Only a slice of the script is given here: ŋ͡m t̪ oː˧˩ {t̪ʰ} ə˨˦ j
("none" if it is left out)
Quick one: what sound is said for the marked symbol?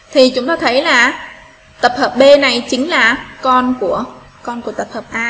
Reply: t̪ʰ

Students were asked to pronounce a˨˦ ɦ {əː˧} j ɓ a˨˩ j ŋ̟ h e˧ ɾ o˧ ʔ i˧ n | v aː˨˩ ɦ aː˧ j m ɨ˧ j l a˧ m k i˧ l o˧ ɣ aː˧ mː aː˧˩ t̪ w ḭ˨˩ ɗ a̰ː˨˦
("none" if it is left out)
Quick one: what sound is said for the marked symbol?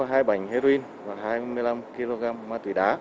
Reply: aː˧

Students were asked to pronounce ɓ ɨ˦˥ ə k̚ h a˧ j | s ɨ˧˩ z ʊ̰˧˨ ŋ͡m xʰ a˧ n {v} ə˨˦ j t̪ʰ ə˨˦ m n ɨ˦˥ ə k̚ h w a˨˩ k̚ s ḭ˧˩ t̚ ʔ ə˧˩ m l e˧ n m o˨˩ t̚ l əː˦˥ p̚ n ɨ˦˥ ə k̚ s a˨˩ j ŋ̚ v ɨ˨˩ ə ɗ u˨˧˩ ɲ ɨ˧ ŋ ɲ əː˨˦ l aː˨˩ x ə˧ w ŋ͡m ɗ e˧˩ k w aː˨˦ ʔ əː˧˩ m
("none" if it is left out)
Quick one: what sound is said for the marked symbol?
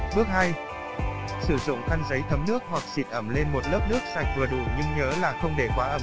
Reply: z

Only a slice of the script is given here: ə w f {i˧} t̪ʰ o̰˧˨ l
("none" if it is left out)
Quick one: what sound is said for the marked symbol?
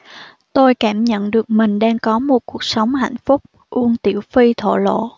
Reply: i˧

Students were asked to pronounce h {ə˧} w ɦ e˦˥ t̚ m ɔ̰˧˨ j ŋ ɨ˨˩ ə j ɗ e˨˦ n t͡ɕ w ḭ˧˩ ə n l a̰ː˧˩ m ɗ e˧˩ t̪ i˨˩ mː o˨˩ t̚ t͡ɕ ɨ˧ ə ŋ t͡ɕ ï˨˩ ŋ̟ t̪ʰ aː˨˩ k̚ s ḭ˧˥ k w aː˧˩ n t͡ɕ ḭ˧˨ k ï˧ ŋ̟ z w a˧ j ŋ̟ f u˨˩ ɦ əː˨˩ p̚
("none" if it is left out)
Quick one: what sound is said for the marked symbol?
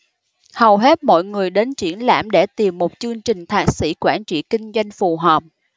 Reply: ə˨˩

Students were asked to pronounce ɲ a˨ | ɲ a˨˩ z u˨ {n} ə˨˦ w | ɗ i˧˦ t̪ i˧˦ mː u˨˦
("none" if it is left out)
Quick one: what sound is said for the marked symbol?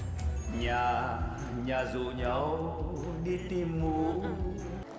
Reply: ɲ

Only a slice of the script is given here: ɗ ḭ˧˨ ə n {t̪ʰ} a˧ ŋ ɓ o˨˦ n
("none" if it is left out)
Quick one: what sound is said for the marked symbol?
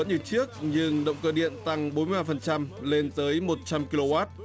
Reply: t̪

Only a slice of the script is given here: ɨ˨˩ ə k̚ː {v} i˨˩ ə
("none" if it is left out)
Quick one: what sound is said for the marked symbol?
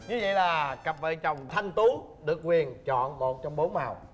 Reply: w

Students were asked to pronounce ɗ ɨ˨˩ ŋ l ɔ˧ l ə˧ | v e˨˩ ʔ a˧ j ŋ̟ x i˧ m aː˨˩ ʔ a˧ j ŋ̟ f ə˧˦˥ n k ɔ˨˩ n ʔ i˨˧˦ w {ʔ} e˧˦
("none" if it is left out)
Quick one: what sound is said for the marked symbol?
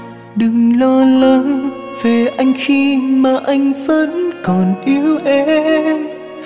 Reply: ʔ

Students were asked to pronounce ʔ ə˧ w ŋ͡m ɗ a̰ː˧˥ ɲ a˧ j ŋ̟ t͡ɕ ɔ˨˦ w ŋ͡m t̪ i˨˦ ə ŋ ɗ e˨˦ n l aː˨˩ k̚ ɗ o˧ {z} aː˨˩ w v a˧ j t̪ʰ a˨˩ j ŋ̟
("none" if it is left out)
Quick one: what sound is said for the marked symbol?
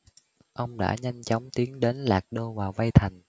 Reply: v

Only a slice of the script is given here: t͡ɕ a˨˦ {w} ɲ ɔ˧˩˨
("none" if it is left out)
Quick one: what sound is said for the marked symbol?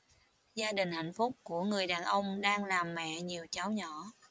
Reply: w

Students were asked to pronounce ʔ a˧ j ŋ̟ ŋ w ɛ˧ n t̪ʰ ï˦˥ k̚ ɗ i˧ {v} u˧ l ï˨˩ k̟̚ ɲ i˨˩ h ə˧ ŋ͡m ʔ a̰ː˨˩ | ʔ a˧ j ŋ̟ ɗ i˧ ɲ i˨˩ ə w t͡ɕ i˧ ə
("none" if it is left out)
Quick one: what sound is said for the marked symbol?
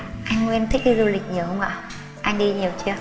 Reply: z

